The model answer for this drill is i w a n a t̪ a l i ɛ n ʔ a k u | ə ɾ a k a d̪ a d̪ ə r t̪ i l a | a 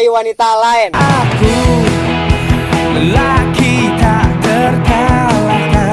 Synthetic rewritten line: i w a n i t̪ a l a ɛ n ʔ a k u | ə l a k i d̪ a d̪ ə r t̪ a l a | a